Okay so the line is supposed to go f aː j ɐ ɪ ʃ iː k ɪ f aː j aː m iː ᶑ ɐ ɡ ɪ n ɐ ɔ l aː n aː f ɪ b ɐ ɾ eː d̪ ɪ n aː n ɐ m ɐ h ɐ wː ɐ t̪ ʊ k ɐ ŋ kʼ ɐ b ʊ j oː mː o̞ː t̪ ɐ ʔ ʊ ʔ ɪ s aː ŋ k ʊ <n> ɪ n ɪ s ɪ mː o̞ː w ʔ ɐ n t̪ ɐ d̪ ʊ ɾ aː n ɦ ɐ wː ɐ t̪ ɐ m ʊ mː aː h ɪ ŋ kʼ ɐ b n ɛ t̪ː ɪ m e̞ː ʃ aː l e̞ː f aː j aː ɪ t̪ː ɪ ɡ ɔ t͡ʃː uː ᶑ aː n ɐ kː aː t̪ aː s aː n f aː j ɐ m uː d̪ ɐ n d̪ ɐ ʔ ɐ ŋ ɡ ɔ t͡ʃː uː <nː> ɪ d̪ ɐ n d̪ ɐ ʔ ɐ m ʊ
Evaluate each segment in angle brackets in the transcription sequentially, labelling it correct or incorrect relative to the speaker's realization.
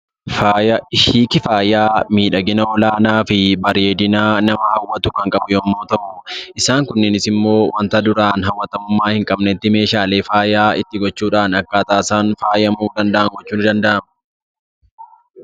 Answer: incorrect: nː, incorrect: n

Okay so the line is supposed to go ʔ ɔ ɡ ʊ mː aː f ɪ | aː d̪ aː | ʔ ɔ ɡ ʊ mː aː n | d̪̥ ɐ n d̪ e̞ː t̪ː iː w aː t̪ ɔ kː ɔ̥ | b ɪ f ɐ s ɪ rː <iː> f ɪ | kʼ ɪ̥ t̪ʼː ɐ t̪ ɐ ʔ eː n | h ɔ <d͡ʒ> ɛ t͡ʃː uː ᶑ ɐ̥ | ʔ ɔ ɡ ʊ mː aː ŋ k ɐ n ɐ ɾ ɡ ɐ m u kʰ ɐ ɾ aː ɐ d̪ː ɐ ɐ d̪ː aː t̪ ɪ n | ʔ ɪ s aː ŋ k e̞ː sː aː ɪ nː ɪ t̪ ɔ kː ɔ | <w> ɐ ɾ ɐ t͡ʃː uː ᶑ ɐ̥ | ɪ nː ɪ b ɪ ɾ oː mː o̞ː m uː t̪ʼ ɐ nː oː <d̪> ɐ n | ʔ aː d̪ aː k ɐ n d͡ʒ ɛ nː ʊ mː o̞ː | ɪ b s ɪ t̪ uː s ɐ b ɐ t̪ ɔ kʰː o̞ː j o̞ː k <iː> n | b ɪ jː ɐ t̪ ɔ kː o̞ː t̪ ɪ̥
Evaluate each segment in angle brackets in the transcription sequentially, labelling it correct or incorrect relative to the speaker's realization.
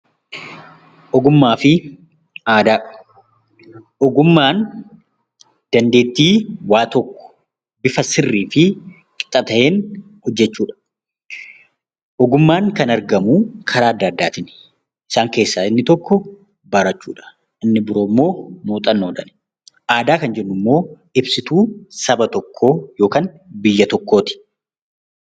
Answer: correct, incorrect: d͡ʒː, incorrect: b, correct, incorrect: aː

